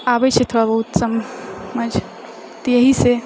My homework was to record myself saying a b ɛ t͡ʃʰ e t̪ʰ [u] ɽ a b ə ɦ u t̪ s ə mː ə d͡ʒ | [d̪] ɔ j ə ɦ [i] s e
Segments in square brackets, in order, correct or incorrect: incorrect, incorrect, correct

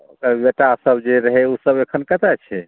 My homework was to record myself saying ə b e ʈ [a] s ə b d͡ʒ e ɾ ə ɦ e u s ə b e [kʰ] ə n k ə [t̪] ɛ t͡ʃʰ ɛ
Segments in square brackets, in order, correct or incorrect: correct, correct, correct

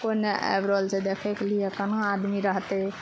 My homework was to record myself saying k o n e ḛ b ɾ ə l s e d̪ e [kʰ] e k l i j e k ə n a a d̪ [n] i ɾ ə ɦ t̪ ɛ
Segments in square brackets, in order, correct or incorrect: correct, incorrect

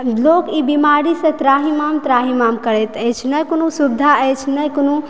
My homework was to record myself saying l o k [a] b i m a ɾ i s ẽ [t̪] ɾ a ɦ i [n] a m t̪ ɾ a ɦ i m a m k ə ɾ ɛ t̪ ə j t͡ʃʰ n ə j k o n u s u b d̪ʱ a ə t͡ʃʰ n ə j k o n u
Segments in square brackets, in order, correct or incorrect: incorrect, correct, incorrect

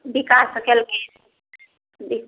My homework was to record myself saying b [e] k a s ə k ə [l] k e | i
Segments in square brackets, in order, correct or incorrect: incorrect, correct

